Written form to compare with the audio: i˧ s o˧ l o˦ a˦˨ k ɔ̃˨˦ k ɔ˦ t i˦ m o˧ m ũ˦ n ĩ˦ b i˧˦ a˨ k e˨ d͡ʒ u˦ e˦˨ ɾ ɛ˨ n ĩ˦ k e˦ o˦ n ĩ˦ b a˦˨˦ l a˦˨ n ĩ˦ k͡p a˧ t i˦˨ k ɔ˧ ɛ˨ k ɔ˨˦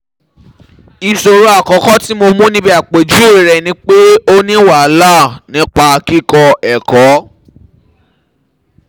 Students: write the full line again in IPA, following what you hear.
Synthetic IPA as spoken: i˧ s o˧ ɾ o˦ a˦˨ k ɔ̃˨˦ k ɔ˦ t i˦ m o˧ m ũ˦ n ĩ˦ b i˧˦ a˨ k͡p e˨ d͡ʒ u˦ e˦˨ ɾ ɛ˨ n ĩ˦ k͡p e˦ o˦ n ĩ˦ w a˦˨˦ l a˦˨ n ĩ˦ k͡p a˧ k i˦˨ k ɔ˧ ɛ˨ k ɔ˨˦